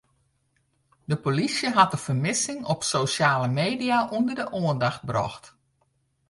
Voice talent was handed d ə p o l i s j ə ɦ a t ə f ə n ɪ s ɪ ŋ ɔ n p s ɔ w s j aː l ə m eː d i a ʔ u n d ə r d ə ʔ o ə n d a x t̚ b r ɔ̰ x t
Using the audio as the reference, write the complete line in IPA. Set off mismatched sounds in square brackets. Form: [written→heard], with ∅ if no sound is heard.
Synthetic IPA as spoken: d ə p o l i s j ə ɦ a t ə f ə [n→m] ɪ s ɪ ŋ ɔ [n→∅] p s [ɔ→o] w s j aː l ə m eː d i a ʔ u n d ə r d ə ʔ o ə n d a x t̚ b r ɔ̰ x t